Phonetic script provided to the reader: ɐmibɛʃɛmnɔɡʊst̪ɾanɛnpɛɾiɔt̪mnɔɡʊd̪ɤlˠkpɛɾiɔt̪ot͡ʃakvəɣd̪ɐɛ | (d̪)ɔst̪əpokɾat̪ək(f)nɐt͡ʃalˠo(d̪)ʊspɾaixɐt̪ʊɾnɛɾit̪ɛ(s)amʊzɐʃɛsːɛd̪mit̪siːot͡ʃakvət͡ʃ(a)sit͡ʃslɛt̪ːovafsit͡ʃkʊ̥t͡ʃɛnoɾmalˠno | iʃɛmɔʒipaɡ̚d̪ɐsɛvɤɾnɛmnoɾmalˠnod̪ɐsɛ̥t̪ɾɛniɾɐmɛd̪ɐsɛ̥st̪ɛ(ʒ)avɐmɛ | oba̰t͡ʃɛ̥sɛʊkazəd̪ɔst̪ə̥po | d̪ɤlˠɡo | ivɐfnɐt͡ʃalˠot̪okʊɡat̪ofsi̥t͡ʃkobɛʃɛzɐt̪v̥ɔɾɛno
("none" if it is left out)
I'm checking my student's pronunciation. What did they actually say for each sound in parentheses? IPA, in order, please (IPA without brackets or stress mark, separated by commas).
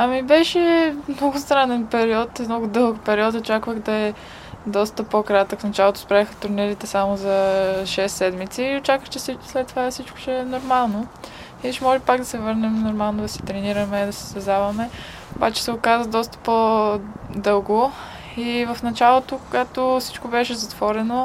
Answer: d̪, f, t̪, s, ɛ, z